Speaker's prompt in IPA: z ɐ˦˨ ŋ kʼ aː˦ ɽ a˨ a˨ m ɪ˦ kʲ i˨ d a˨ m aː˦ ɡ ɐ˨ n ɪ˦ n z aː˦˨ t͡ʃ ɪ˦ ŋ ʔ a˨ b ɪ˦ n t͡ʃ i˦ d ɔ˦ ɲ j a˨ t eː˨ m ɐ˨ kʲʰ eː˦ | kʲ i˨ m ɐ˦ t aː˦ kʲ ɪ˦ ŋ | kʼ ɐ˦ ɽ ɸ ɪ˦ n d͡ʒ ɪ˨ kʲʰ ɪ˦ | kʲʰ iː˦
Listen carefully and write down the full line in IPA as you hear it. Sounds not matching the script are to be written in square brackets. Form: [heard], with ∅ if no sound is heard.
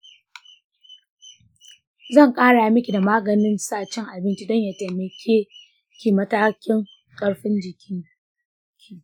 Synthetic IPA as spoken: z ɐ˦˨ ŋ kʼ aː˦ ɽ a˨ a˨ m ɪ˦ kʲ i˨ d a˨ m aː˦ ɡ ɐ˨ n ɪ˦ n [s] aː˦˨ t͡ʃ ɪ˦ ŋ ʔ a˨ b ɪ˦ n t͡ʃ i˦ d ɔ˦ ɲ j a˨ t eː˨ m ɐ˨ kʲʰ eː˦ | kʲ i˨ m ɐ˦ t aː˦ kʲ ɪ˦ ŋ | kʼ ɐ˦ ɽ ɸ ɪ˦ n d͡ʒ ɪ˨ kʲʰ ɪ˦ | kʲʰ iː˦

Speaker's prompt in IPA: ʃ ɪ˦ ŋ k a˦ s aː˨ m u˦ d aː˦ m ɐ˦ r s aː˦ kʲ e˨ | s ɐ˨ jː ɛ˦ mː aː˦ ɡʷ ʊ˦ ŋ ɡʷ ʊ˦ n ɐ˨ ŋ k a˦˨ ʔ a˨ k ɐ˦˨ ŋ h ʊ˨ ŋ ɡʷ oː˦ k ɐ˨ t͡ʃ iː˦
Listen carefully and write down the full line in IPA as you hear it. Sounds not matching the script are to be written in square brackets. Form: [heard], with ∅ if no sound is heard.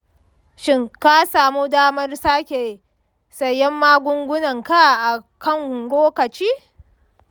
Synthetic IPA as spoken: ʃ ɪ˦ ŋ k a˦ s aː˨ m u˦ d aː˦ m ɐ˦ r s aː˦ kʲ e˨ | s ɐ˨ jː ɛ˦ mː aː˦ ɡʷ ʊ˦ ŋ ɡʷ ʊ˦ n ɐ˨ ŋ k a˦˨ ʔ a˨ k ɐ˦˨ ŋ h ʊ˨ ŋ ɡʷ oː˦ k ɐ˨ t͡ʃ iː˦

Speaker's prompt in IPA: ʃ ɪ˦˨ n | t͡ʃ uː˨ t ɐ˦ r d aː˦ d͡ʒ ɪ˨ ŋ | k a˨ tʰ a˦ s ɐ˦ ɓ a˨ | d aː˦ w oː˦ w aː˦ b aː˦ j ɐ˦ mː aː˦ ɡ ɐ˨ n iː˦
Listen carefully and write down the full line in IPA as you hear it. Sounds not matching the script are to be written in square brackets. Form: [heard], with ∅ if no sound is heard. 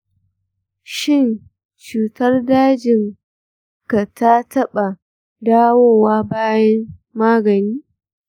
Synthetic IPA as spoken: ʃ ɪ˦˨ n | t͡ʃ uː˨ t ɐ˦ r d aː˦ d͡ʒ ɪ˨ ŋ | k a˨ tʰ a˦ [t] ɐ˦ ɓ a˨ | d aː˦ w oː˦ w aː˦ b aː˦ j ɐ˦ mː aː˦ ɡ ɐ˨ n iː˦

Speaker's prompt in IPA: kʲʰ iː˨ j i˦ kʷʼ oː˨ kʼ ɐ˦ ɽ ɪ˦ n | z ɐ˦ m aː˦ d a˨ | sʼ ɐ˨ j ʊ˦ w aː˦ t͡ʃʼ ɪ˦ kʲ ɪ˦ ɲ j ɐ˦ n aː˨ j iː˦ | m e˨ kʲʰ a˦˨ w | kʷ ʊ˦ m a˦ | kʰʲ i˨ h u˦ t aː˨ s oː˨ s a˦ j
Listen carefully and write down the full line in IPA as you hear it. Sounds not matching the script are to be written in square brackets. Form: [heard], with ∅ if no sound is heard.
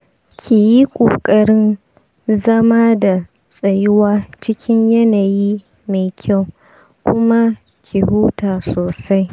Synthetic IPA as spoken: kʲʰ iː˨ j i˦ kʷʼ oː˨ kʼ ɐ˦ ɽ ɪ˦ n | z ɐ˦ m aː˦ d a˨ | sʼ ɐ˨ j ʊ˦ w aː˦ [t͡ʃ] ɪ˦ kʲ ɪ˦ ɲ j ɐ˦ n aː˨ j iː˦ | m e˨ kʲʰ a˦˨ w | kʷ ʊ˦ m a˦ | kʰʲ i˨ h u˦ t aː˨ s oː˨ s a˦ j

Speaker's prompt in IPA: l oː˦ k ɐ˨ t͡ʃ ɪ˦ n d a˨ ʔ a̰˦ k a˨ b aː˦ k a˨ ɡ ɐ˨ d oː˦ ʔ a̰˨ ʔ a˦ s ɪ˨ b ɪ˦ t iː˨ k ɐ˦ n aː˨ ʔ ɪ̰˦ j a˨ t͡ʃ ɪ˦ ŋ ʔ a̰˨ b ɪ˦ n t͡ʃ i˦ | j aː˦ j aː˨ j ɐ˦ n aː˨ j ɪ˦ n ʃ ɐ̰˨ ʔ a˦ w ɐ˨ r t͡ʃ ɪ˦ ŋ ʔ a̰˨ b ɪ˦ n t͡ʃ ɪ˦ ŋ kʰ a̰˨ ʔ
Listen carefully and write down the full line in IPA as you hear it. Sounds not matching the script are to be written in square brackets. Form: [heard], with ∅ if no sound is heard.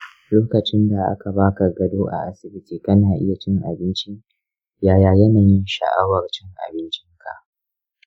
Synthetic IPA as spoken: l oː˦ k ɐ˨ t͡ʃ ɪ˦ n d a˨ ʔ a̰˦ k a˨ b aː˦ k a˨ ɡ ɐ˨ d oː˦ ʔ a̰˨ ʔ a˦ s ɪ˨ b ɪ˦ t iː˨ k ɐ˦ n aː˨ ʔ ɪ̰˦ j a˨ t͡ʃ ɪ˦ ŋ ʔ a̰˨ b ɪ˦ n t͡ʃ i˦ | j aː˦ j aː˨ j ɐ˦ n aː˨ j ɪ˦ n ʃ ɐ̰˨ ʔ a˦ w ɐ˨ r t͡ʃ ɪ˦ ŋ ʔ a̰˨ b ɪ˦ n t͡ʃ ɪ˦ ŋ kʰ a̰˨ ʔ

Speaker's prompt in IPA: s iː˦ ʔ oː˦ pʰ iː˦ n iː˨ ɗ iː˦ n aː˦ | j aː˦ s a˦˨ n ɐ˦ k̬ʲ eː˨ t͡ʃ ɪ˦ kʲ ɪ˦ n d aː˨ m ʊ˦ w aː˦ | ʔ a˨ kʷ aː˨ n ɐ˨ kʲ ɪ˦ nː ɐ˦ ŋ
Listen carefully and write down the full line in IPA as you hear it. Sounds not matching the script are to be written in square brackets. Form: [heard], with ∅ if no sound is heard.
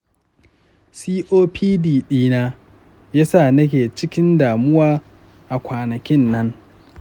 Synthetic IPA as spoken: s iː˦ ʔ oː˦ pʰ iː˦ [d] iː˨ ɗ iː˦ n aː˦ | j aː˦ s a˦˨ n ɐ˦ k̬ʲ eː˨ t͡ʃ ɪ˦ kʲ ɪ˦ n d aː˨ m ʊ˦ w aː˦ | ʔ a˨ kʷ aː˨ n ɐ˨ kʲ ɪ˦ nː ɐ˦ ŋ

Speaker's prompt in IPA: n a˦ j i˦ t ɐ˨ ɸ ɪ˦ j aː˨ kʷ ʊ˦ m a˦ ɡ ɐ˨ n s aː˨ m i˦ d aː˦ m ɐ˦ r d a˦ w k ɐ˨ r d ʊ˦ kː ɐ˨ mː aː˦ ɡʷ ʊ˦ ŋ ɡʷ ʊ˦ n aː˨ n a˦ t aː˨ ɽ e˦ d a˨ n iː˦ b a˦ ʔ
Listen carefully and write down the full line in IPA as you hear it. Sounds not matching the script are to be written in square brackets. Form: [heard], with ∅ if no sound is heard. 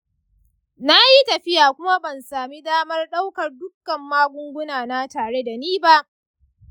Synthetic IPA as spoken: n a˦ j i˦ t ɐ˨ ɸ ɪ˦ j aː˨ kʷ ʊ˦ m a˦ [b] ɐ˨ n s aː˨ m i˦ d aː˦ m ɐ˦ r [ɗ] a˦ w k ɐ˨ r d ʊ˦ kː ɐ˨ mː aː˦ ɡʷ ʊ˦ ŋ ɡʷ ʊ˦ n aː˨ n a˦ t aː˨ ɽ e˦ d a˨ n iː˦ b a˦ ʔ

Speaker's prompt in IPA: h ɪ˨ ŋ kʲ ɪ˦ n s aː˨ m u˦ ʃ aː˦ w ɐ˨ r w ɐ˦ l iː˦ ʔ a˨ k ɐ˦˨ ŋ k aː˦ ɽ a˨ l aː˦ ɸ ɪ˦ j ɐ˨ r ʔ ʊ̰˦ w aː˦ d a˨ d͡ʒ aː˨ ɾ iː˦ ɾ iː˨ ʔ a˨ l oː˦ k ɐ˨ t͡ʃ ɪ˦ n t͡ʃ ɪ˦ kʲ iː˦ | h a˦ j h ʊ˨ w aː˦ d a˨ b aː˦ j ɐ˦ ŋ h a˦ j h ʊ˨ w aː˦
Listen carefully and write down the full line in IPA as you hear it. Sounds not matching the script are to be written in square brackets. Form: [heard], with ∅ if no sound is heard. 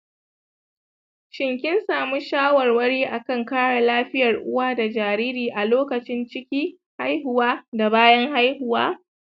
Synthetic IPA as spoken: [ʃ] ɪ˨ ŋ kʲ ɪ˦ n s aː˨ m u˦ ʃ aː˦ w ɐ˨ r w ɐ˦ [ɽ] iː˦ ʔ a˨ k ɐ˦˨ ŋ k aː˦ ɽ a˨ l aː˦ ɸ ɪ˦ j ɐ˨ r ʔ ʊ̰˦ w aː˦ d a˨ d͡ʒ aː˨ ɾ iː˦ ɾ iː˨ ʔ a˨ l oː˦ k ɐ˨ t͡ʃ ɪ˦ n t͡ʃ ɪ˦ kʲ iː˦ | h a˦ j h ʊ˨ w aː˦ d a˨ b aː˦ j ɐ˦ ŋ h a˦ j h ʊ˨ w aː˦

